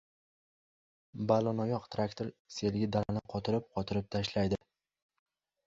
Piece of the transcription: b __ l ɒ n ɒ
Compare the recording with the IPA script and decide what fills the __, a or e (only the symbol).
a